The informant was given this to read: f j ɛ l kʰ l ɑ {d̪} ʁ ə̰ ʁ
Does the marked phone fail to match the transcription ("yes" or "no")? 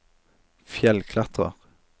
yes